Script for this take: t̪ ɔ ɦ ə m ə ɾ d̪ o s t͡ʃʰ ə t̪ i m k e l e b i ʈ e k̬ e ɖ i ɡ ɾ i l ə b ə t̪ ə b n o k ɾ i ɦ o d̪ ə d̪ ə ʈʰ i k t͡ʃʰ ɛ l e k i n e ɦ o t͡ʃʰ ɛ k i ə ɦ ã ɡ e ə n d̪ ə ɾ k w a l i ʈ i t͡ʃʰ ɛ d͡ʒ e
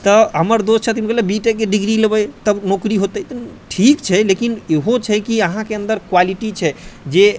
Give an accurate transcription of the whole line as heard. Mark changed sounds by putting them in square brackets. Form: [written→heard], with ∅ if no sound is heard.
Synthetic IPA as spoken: t̪ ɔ ɦ ə m ə ɾ d̪ o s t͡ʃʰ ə t̪ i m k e l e b i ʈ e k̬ e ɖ i ɡ ɾ i l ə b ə t̪ ə b n o k ɾ i ɦ o [d̪→t̪] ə [d̪→t̪] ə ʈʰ i k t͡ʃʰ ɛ l e k i n e ɦ o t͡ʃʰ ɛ k i ə ɦ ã [ɡ→k] e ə n d̪ ə ɾ k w a l i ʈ i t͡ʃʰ ɛ d͡ʒ e